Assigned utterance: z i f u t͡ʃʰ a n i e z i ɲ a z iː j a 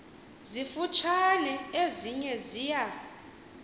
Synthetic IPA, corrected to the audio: z i f u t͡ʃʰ a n ɛ e z i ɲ ɛ z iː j a